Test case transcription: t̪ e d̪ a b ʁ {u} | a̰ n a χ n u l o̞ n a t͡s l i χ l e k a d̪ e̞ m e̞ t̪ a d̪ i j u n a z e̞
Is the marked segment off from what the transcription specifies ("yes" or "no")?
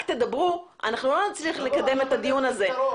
no